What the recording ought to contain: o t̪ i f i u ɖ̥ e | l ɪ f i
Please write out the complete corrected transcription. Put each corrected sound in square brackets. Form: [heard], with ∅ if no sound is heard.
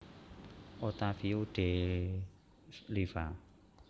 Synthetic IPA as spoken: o t̪ [a] f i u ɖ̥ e | l [i] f [a]